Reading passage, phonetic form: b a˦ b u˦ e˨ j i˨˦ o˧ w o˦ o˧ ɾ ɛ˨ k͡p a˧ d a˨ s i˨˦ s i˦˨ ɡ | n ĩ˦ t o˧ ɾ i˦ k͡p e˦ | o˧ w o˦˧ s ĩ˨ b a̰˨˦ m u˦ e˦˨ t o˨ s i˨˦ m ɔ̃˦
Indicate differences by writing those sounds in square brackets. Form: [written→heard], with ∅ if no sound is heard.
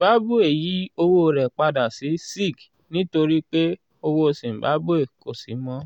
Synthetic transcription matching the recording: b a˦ b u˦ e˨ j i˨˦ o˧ w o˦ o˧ ɾ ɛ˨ k͡p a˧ d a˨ s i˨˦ s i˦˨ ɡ | n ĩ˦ t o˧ ɾ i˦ k͡p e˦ | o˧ w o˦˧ s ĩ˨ b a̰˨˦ [m→b] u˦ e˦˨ [t→k] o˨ s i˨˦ m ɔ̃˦

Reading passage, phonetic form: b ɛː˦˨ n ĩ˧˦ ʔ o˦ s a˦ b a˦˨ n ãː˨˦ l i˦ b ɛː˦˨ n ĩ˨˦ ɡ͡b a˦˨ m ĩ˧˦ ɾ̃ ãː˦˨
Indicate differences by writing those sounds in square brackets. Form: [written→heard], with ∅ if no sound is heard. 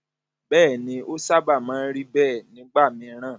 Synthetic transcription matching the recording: b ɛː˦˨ n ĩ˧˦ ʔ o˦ s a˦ b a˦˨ [n→m] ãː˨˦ [l→ɾ] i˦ b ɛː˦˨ n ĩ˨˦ ɡ͡b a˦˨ m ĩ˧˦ ɾ̃ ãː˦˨

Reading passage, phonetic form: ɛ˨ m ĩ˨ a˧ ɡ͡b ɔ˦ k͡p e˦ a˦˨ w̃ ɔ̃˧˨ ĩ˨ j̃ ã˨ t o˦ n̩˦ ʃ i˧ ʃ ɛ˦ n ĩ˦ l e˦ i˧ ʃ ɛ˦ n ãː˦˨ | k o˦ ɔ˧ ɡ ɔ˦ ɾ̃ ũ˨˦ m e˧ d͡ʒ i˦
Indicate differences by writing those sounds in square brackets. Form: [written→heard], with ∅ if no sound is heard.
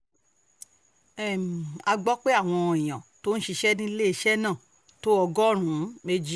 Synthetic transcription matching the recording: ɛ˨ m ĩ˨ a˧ ɡ͡b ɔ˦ k͡p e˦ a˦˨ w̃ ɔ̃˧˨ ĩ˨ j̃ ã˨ t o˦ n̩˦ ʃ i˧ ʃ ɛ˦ n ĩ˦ l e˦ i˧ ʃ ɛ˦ n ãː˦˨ | [k→t] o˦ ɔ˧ ɡ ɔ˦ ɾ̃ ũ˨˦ m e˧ d͡ʒ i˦

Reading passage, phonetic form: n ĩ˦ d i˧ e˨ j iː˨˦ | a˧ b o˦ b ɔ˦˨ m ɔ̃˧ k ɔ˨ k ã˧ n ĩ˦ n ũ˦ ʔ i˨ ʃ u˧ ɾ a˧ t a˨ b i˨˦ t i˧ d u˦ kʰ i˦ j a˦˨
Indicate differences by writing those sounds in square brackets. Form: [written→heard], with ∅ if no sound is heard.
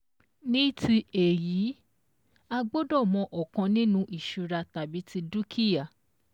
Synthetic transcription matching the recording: n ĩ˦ [d→t] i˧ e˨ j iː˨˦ | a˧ [b→ɡ͡b] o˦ [b→d] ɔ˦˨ m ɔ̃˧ [k→ʔ] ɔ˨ k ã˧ n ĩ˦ n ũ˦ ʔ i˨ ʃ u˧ ɾ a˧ t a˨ b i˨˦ t i˧ d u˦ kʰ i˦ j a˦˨

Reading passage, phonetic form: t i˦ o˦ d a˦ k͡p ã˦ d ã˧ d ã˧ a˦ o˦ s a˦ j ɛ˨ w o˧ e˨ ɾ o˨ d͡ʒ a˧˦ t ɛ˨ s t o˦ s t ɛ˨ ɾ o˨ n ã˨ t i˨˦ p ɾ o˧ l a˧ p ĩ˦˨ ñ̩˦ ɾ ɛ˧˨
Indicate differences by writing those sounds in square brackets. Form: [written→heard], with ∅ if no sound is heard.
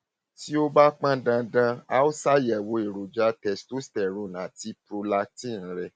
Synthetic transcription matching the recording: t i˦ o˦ [d→b] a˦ k͡p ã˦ d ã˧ d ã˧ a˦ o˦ s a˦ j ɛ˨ w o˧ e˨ ɾ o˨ d͡ʒ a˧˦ t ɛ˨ s t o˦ s t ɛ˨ ɾ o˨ n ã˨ t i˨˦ p ɾ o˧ l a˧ [p→t] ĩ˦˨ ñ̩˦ ɾ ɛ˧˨

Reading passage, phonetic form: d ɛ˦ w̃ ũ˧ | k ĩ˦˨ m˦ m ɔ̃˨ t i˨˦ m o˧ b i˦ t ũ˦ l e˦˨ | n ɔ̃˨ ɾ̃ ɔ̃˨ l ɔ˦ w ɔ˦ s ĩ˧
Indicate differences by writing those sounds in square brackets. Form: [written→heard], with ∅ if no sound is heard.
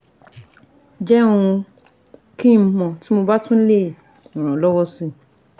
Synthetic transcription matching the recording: [d→d͡ʒ] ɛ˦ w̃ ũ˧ | k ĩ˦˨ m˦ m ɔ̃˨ t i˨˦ m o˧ b [i˦→a˦] t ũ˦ l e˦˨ | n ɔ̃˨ ɾ̃ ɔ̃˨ l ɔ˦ w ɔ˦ s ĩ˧

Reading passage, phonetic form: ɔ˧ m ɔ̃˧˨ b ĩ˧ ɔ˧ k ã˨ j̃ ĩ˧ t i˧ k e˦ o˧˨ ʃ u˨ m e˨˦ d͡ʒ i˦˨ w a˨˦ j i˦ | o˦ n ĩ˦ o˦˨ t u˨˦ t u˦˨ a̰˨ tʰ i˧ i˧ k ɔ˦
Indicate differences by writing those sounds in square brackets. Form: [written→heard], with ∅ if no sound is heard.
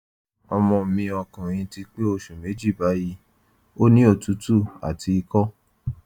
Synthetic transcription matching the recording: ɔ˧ m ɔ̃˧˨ [b→m] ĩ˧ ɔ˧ k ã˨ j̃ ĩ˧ t i˧ [k→k͡p] e˦ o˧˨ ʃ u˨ m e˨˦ d͡ʒ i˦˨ [w→b] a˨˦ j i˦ | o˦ n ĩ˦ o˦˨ t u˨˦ t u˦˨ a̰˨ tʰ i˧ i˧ k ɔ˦

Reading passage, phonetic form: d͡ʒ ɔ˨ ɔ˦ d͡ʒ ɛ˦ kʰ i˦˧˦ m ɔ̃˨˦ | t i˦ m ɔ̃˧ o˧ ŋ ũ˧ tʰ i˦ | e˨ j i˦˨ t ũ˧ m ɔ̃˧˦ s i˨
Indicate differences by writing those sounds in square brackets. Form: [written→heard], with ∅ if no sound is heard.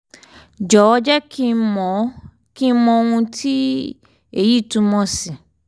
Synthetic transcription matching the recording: d͡ʒ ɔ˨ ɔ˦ d͡ʒ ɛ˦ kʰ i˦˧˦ m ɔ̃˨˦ | [t→k] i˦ m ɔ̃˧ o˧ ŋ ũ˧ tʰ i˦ | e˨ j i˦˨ t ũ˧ m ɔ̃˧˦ s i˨

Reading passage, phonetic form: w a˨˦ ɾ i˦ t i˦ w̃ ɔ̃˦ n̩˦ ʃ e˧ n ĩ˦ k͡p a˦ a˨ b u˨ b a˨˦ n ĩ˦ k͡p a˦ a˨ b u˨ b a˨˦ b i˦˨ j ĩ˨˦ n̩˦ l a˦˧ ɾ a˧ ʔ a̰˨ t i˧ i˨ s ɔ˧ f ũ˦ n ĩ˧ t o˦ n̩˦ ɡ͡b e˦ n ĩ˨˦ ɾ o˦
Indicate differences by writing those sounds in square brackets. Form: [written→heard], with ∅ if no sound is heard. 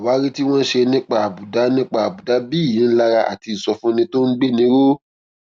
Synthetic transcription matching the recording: w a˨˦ ɾ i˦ t i˦ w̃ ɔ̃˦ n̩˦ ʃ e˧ n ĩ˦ k͡p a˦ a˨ b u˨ [b→d] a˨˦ n ĩ˦ k͡p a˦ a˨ b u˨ [b→d] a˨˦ b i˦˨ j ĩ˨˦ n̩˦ l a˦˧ ɾ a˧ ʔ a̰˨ t i˧ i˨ s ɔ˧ f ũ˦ n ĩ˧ t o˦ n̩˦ ɡ͡b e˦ n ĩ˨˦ ɾ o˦

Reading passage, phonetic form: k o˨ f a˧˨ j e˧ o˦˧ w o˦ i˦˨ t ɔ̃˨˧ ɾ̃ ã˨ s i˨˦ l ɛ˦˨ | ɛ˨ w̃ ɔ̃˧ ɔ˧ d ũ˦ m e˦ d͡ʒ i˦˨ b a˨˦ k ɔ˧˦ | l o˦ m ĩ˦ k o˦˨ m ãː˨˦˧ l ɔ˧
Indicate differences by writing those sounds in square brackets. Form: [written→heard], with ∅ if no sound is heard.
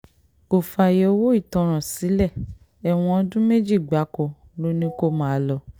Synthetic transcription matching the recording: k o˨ f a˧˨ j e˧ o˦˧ w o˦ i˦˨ t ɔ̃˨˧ ɾ̃ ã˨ s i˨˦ l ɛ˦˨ | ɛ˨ w̃ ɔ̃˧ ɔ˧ d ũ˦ m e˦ d͡ʒ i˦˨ [b→ɡ͡b] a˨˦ k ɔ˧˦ | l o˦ [m→n] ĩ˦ k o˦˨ m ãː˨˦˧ l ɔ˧

